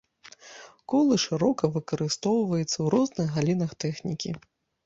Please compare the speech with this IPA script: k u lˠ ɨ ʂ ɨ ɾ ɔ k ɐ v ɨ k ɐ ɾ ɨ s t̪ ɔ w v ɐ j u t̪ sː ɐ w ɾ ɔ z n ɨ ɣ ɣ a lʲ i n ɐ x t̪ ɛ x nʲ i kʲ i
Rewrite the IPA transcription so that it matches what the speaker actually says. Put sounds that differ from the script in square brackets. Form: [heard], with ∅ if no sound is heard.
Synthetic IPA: k [ɔ] lˠ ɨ ʂ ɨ ɾ ɔ k ɐ v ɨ k ɐ ɾ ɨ s t̪ ɔ w v ɐ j u t̪ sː ɐ w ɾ ɔ z n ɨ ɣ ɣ a lʲ i n ɐ x t̪ ɛ x nʲ i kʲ i